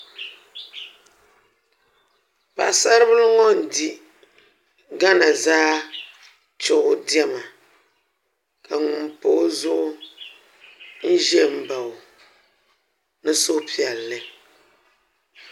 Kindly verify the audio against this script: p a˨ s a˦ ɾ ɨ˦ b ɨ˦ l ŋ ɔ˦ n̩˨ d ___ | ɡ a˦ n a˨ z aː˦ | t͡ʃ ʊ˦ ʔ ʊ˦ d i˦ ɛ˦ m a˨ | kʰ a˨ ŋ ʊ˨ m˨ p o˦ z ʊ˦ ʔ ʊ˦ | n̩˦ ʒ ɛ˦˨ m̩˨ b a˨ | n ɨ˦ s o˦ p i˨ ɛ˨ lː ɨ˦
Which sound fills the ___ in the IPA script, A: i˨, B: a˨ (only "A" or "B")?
A